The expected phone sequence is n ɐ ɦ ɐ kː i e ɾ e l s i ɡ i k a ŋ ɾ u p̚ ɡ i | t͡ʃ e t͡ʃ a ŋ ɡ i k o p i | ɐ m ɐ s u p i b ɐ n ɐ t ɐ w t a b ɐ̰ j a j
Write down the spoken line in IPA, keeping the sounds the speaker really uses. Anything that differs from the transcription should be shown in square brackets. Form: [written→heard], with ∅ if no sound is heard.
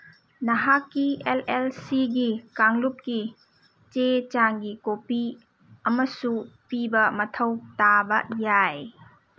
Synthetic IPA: n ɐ ɦ [ɐ→a] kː i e [ɾ→l] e l s i ɡ i k a ŋ [ɾ→l] u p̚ [ɡ→k] i | t͡ʃ e t͡ʃ a ŋ ɡ i k o p i | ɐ m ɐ s u p i b ɐ [n→m] ɐ [t→tʰ] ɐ w t a b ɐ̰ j a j